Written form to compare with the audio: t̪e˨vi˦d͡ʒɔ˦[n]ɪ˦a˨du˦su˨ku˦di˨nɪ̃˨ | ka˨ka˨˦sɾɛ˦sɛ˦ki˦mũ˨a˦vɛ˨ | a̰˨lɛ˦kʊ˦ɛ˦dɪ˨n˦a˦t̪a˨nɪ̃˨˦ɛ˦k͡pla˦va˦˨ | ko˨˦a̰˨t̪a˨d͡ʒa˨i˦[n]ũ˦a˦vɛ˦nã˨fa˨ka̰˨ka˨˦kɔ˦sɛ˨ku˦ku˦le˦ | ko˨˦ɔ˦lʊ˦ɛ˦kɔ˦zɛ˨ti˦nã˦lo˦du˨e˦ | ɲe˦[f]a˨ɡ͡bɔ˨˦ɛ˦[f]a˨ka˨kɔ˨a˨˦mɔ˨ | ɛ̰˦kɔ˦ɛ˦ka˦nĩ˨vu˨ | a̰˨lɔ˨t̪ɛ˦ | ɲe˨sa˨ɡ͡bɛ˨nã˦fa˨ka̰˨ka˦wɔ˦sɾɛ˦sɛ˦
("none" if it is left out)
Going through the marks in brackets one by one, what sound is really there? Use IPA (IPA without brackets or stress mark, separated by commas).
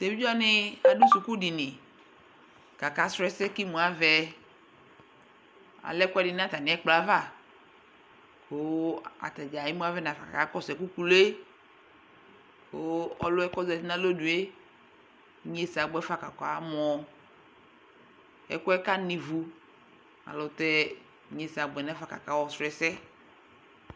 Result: n, m, s, f